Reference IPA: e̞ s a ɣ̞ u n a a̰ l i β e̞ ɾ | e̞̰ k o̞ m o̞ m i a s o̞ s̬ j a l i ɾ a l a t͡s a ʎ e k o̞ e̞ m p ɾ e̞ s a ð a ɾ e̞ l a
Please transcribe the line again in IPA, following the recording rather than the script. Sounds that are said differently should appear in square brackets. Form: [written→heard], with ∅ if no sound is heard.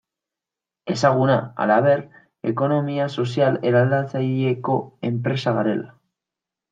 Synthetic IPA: e̞ s a ɣ̞ u n a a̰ l [i→a] β e̞ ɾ | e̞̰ k o̞ [m→n] o̞ m i a s o̞ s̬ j a l [i→e] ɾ a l a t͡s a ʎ e k o̞ e̞ m p ɾ e̞ s a [ð→ɣ] a ɾ e̞ l a